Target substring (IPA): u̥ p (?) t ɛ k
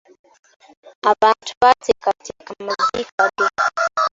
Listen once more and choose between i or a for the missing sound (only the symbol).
a